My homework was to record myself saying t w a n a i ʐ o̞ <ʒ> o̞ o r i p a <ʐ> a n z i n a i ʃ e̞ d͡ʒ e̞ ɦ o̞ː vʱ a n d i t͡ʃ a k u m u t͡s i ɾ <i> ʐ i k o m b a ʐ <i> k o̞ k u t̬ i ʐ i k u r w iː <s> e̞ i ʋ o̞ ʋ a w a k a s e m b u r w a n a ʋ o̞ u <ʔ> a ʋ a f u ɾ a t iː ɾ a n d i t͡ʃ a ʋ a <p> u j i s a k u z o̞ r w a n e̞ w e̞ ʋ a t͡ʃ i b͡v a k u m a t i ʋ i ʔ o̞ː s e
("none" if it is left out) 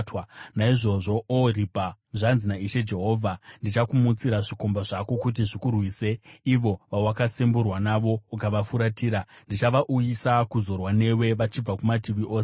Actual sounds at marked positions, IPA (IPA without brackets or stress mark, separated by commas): ʐ, ʐ, a, a, s, k, ʔ